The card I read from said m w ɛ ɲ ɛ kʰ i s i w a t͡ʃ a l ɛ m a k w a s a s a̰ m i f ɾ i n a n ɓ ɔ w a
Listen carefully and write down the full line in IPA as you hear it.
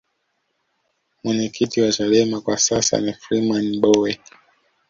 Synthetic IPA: m w ɛ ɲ ɛ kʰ i t i w a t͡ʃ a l ɛ m a k w a s a s a̰ n i f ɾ i m a n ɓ ɔ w ɛ